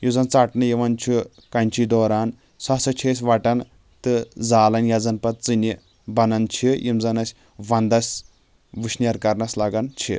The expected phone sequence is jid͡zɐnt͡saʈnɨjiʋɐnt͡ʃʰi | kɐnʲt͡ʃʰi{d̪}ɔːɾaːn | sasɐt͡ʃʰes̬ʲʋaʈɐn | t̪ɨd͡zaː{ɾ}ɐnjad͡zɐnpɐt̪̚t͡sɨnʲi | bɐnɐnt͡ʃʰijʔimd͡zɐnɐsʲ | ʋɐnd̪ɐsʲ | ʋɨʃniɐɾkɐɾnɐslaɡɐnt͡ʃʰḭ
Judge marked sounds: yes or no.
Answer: yes, no

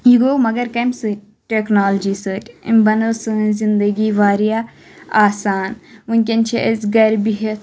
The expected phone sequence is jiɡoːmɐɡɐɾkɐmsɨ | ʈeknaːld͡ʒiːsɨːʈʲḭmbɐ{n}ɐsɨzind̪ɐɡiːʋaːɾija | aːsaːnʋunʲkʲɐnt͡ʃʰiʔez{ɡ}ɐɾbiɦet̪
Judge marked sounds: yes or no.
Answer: yes, yes

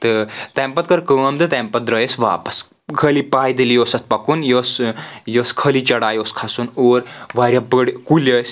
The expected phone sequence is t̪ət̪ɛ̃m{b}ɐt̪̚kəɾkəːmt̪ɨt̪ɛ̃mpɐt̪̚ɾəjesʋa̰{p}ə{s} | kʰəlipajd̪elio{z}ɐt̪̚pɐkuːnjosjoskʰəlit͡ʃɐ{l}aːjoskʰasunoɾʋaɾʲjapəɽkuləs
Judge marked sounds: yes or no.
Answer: no, yes, yes, no, no

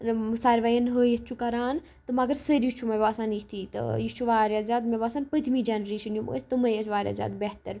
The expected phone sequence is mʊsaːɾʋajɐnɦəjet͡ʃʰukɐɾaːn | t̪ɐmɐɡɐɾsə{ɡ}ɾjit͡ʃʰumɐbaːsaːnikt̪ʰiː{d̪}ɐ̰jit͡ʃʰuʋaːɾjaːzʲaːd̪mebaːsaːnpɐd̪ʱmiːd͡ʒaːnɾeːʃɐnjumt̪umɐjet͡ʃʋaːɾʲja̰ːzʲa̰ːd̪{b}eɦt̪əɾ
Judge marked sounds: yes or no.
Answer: no, no, yes

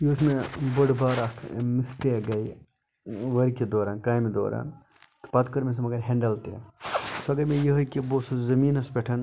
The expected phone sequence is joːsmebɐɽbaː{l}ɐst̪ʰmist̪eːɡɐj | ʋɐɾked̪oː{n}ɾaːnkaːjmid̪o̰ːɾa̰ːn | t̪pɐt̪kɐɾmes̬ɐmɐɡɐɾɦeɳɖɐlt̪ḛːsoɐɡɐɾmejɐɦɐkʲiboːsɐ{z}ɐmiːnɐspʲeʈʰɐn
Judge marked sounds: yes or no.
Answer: no, no, yes

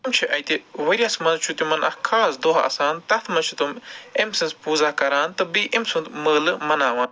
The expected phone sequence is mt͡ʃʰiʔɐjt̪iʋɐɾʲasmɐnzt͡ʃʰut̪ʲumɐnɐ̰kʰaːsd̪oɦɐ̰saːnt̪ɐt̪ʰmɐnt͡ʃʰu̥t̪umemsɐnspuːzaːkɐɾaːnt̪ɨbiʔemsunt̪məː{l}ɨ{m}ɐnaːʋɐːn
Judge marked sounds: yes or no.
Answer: yes, yes

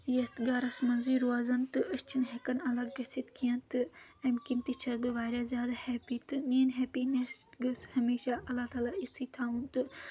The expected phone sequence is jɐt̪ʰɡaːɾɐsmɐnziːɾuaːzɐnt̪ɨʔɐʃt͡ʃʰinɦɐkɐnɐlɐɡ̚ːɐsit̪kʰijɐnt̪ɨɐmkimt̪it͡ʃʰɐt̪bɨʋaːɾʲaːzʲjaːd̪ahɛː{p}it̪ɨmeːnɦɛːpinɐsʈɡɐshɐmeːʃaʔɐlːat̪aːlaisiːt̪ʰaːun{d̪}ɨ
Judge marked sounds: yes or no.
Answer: yes, no

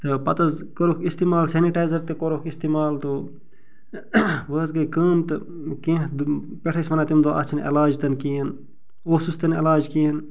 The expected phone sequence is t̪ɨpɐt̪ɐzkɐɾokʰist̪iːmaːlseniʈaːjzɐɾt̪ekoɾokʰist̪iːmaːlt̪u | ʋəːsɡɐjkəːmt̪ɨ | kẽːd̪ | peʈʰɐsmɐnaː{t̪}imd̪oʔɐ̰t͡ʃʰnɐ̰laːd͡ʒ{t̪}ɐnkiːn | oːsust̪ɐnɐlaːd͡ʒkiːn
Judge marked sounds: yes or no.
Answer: yes, yes

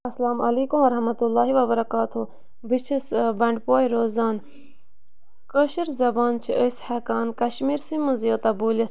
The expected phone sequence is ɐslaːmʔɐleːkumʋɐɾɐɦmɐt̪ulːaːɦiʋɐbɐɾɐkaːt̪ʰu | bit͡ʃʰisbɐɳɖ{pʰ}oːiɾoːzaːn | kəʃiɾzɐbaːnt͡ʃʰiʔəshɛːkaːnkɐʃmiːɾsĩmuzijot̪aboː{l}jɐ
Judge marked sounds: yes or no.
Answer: no, yes

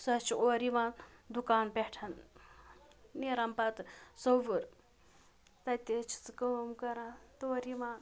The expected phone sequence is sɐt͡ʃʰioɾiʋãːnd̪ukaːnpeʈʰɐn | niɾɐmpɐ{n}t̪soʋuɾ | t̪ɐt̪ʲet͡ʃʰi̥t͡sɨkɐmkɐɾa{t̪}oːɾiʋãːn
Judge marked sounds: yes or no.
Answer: no, yes

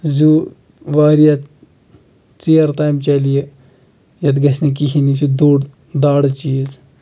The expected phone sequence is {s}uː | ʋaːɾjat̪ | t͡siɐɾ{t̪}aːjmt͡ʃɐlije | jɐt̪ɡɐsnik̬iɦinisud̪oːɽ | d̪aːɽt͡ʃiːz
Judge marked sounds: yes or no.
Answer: no, yes

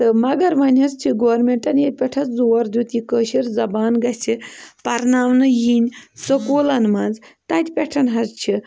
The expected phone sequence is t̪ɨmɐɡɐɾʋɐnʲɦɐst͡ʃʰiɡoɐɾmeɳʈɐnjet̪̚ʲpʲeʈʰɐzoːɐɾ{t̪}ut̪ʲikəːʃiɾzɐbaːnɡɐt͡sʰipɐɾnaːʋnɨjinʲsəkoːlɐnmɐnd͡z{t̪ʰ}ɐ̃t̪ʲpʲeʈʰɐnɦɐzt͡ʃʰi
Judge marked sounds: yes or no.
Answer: no, no

